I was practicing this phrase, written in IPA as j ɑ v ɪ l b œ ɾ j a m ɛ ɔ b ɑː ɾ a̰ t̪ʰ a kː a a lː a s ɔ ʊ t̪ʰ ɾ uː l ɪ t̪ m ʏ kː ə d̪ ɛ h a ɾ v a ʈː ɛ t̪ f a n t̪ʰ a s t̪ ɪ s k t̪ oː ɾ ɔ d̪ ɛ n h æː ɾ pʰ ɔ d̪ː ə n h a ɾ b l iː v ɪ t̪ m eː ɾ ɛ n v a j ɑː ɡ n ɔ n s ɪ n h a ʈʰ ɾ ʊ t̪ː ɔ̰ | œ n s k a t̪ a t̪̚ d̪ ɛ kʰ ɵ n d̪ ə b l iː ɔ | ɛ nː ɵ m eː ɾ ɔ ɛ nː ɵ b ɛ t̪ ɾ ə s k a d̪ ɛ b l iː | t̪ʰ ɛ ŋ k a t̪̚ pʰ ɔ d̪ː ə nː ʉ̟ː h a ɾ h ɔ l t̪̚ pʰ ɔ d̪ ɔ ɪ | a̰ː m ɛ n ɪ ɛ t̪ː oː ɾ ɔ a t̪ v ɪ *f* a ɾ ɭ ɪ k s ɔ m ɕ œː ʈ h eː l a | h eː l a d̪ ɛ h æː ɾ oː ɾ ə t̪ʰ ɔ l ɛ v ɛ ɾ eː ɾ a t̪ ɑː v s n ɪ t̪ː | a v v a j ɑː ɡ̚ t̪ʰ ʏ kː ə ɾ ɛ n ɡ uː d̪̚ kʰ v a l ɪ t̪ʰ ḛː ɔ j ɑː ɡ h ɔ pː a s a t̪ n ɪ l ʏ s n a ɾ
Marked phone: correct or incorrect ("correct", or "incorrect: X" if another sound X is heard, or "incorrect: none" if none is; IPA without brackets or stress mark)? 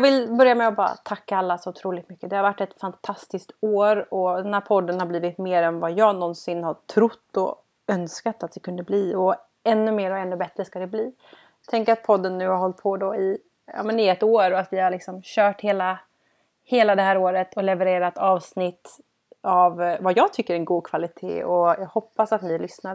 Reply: incorrect: h